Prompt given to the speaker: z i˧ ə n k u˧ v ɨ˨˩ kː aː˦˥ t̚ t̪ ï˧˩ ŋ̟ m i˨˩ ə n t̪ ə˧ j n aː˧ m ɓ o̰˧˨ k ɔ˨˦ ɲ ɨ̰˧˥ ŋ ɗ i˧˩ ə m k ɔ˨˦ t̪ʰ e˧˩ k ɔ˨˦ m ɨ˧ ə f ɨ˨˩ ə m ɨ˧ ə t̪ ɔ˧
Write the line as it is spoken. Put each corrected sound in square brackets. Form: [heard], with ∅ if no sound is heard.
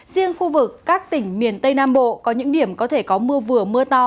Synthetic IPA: z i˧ ə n [x] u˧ v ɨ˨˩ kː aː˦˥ [k̚] t̪ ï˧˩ ŋ̟ m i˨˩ ə n t̪ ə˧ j n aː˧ m ɓ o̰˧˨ k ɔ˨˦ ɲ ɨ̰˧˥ ŋ ɗ i˧˩ ə m k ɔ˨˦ t̪ʰ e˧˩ k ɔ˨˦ m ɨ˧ ə [v] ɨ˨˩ ə m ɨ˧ ə t̪ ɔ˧